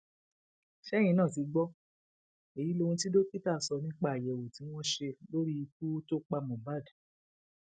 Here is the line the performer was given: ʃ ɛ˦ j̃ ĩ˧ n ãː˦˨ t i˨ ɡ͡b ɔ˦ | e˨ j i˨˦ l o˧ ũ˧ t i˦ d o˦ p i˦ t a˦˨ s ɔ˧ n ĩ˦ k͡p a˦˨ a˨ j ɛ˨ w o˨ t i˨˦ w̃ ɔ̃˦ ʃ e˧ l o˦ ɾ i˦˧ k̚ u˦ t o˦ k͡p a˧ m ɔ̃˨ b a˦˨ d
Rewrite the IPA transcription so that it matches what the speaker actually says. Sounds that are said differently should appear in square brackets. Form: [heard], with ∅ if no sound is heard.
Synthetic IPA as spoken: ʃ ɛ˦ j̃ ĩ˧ n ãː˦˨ t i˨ ɡ͡b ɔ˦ | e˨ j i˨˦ l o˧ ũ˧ t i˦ d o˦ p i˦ t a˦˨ s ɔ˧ n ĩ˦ k͡p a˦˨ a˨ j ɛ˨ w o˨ t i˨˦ w̃ ɔ̃˦ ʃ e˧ l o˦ ɾ i˦˧ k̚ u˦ t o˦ k͡p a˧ m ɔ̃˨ b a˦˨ d